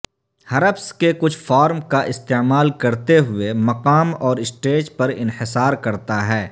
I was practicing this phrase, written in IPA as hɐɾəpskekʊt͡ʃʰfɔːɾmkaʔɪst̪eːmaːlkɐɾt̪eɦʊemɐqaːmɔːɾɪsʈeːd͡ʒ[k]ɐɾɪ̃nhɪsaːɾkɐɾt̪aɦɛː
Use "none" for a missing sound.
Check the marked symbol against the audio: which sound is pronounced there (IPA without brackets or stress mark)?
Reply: p